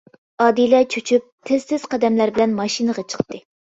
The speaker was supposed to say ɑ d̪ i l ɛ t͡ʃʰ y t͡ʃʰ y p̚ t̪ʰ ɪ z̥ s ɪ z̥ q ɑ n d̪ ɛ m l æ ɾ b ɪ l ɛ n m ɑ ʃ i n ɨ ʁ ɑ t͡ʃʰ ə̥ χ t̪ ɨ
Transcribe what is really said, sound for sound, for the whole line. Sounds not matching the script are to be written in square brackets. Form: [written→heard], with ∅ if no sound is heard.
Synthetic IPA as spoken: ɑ d̪ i l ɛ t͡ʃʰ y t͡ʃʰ y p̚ t̪ʰ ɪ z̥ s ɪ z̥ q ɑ [n→∅] d̪ ɛ m l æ ɾ b ɪ l ɛ n m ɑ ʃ i n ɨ ʁ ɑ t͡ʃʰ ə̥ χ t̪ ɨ

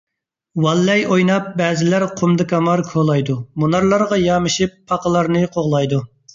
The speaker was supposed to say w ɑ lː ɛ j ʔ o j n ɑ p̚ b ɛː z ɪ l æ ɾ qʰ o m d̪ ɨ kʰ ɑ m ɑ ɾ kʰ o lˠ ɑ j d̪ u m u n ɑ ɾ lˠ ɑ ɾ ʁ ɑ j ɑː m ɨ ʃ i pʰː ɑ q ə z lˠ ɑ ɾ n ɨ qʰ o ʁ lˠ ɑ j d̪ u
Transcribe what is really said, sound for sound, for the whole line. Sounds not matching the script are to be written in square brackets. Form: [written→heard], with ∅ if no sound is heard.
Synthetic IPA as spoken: w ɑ lː ɛ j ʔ o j n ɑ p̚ b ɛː z ɪ l æ ɾ qʰ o m d̪ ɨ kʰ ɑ m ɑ ɾ kʰ o lˠ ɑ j d̪ u m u n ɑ ɾ lˠ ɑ ɾ ʁ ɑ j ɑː m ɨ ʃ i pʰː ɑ q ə [z→∅] lˠ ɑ ɾ n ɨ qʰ o ʁ lˠ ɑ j d̪ u

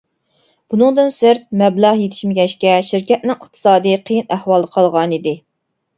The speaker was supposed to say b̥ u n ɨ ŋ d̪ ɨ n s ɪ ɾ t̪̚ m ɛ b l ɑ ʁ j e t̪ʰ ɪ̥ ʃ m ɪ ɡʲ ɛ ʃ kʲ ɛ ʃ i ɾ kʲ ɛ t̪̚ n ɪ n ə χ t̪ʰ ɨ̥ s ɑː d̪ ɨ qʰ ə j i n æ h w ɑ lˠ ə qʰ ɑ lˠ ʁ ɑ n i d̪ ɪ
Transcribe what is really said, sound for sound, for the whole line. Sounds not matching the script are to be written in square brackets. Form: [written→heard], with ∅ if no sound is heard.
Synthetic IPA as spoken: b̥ u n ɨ ŋ d̪ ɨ n s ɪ ɾ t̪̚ m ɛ b l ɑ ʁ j e t̪ʰ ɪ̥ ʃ m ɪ ɡʲ ɛ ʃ kʲ ɛ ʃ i ɾ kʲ ɛ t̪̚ n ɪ [n→ŋ] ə χ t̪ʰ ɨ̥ s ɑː d̪ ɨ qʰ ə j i n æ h w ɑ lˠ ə qʰ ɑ lˠ ʁ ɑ n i d̪ ɪ

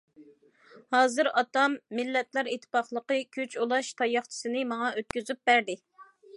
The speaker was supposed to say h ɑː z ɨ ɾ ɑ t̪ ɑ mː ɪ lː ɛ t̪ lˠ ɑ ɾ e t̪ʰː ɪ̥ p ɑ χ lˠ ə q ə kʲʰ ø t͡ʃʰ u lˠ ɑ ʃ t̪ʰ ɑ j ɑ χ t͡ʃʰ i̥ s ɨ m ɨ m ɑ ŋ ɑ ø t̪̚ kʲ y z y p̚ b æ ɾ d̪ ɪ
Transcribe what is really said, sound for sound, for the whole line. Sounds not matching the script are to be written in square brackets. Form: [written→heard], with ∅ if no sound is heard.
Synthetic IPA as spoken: h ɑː z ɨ ɾ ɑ t̪ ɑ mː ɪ lː ɛ t̪ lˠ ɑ ɾ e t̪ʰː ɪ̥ p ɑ χ lˠ ə q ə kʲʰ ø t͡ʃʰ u lˠ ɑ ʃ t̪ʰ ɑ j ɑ χ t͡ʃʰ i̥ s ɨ [m→n] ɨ m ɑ ŋ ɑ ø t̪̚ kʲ y z y p̚ b æ ɾ d̪ ɪ

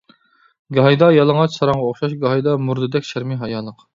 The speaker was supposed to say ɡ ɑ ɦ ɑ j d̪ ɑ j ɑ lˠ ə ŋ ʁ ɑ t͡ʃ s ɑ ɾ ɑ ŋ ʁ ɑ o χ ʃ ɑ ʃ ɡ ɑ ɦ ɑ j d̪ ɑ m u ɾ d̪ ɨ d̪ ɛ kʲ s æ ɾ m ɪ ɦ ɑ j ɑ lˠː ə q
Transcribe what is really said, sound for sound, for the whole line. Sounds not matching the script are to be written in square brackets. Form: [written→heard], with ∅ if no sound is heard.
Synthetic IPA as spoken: ɡ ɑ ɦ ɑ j d̪ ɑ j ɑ lˠ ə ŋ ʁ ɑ t͡ʃ s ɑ ɾ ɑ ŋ ʁ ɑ o χ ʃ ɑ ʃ ɡ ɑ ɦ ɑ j d̪ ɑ m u ɾ d̪ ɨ d̪ ɛ kʲ [s→ʃ] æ ɾ m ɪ ɦ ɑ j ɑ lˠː ə q

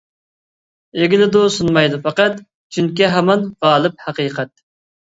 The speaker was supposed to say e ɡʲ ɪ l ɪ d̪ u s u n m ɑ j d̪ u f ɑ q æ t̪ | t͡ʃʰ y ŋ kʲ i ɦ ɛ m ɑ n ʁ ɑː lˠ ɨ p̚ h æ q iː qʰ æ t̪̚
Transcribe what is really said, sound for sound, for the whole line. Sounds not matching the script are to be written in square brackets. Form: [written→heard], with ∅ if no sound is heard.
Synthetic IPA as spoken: e ɡʲ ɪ l ɪ d̪ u s u n m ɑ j d̪ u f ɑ q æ t̪ | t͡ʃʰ y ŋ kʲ i ɦ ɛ m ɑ n ʁ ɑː lˠ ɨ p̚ h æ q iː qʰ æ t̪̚

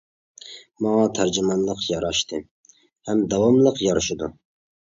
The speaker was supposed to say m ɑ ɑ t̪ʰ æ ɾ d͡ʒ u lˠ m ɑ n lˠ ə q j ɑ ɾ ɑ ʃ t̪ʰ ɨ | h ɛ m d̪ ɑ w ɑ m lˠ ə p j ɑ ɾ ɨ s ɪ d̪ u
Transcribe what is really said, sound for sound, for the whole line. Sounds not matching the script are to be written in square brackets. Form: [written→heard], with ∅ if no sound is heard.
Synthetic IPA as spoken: m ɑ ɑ t̪ʰ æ ɾ d͡ʒ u [lˠ→∅] m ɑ n lˠ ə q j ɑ ɾ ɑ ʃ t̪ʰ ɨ | h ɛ m d̪ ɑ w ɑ m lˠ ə [p→q] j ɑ ɾ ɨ [s→ʃ] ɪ d̪ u

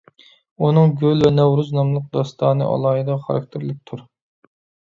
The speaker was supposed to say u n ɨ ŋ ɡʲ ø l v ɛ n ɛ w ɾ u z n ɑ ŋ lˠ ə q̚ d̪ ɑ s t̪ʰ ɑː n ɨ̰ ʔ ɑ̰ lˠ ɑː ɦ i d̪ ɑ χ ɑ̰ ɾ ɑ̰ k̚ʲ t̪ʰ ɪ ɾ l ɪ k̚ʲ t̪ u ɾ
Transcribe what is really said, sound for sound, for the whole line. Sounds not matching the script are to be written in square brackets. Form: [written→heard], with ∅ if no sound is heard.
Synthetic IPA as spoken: u n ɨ ŋ ɡʲ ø l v ɛ n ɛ w ɾ u z n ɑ [ŋ→m] lˠ ə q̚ d̪ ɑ s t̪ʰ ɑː n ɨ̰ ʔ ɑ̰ lˠ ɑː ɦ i d̪ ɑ χ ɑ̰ ɾ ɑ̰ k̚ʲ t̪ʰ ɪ ɾ l ɪ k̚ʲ [t̪→t̪ʰ] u ɾ

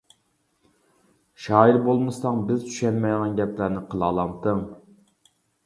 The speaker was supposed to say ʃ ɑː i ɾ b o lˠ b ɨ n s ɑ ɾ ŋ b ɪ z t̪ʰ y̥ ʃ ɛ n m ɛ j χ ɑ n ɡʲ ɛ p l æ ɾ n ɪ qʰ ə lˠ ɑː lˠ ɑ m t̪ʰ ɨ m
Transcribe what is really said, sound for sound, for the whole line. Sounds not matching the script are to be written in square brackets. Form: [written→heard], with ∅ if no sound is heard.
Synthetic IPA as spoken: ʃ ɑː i ɾ b o lˠ [b→m] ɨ [n→∅] s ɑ [ɾ→∅] ŋ b ɪ z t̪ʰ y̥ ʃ ɛ n m ɛ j [χ→ʁ] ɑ n ɡʲ ɛ p l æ ɾ n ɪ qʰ ə lˠ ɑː lˠ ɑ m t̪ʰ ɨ [m→ŋ]

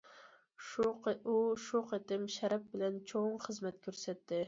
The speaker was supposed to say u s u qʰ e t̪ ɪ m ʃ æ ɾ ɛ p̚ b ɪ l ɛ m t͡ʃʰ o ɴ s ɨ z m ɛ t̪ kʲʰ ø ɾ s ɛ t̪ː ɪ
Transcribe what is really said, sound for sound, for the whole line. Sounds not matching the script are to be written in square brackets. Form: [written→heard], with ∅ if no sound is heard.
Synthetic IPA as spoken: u [s→ʃ] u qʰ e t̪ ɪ m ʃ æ ɾ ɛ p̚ b ɪ l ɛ [m→n] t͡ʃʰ o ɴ [s→χ] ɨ z m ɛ t̪ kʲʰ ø ɾ s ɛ t̪ː ɪ

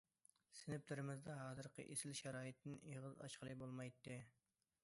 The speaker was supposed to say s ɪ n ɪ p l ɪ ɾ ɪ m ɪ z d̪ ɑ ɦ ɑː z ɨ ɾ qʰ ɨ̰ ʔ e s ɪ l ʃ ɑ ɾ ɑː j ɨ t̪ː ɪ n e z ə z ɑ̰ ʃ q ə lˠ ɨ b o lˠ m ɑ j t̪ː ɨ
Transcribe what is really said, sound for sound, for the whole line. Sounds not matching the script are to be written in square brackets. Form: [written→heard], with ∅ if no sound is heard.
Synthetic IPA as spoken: s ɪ n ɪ p l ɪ ɾ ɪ m ɪ z d̪ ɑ ɦ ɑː z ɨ ɾ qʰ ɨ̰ ʔ e s ɪ l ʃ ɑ ɾ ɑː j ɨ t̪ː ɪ n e [z→ʁ] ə z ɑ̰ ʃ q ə lˠ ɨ b o lˠ m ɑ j t̪ː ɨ

